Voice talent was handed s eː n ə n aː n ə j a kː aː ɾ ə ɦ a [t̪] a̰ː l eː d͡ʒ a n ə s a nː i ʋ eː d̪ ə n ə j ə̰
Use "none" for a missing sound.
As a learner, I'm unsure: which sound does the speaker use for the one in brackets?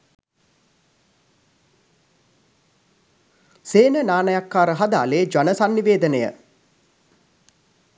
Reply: d̪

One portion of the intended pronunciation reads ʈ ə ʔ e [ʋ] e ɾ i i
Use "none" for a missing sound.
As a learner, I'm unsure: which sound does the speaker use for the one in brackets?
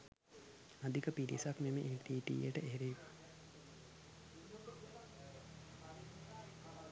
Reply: none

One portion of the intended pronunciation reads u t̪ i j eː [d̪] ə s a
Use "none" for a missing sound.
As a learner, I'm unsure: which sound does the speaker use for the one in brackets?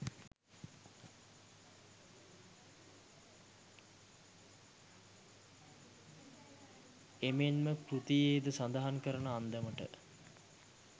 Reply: d̪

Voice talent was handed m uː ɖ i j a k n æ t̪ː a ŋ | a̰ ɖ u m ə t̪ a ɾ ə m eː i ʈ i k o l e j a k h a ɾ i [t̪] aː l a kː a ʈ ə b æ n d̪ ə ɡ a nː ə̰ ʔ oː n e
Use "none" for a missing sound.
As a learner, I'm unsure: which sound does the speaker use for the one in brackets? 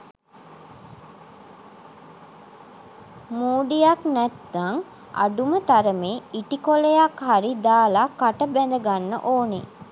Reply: d̪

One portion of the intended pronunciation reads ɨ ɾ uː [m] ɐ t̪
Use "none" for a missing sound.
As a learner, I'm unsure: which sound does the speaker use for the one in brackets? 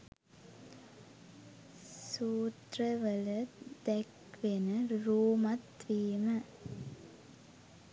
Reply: m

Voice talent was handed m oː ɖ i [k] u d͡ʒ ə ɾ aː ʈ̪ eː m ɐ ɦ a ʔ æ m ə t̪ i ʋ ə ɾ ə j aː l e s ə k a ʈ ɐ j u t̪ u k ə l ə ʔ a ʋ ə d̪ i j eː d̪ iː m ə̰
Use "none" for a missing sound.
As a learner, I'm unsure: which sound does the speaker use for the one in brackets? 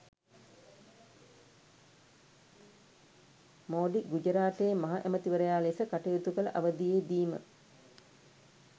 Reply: ɡ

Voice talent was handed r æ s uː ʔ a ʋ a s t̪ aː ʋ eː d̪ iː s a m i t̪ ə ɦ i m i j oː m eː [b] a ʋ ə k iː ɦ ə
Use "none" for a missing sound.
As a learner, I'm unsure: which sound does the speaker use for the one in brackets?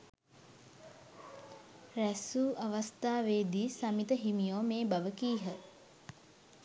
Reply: b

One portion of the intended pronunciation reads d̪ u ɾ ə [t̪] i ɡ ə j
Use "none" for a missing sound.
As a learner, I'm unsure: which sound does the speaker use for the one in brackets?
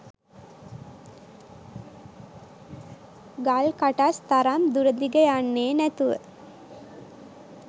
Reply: d̪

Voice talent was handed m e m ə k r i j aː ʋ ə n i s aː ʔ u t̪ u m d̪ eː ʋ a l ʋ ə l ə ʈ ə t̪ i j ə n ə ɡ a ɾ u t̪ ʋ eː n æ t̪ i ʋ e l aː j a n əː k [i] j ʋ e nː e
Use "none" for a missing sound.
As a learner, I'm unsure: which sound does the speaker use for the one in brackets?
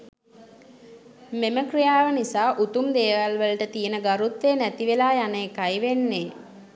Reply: a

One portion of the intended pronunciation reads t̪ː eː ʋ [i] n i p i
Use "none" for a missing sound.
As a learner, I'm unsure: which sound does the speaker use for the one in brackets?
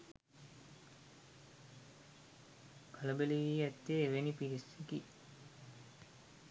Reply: e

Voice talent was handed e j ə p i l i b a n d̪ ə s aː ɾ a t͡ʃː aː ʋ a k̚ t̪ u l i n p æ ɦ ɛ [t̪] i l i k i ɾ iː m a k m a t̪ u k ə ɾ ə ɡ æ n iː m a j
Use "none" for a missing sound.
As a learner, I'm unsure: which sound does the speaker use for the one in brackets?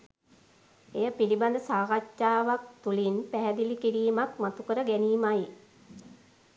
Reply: d̪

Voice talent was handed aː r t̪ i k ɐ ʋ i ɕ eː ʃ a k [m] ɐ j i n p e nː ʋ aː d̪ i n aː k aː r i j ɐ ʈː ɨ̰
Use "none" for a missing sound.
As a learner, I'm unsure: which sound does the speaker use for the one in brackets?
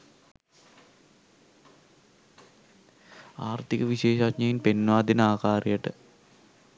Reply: ɲ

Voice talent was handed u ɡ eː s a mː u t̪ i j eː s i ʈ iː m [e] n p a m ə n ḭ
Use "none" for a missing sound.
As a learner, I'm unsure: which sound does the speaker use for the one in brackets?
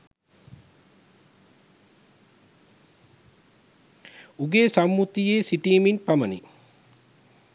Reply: i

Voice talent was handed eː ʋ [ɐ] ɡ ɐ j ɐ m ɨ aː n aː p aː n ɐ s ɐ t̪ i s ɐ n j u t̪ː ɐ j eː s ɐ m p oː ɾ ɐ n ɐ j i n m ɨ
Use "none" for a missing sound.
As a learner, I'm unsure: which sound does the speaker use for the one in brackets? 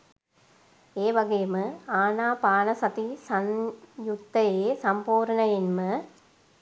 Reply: ɐ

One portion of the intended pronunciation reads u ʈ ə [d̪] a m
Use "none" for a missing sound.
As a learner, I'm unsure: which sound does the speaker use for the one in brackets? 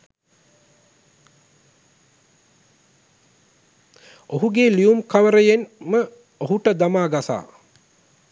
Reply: d̪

